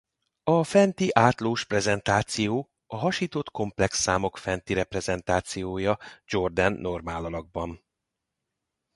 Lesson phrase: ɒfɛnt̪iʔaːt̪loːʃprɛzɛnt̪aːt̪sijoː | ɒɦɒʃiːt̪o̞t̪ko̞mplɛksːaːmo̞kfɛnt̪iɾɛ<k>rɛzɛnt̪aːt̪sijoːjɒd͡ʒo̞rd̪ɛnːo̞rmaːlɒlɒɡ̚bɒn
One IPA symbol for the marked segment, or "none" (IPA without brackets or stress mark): p